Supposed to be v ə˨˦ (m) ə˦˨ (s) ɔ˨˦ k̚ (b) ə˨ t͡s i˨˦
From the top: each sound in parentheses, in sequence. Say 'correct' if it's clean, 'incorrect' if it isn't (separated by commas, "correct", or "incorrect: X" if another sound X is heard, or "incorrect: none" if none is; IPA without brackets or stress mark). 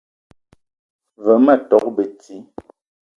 correct, incorrect: t, correct